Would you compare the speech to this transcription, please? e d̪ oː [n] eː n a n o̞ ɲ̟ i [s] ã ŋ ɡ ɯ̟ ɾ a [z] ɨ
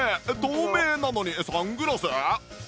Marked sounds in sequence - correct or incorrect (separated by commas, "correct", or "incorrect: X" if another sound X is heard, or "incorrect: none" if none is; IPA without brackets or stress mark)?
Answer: incorrect: m, correct, incorrect: s